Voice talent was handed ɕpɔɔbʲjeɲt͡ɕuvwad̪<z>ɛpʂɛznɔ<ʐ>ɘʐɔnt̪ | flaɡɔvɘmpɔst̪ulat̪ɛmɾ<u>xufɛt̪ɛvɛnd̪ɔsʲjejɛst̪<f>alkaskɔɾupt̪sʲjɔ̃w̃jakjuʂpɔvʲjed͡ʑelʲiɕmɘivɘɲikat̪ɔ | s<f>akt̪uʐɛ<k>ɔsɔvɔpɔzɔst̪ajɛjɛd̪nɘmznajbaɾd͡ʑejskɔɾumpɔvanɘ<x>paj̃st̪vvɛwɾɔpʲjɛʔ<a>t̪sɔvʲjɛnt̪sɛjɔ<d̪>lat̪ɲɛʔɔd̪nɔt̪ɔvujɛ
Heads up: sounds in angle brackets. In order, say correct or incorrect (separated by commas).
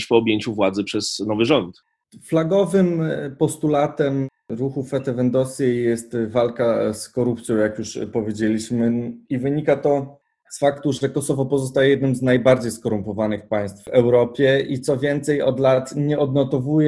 correct, incorrect, correct, incorrect, correct, correct, correct, incorrect, correct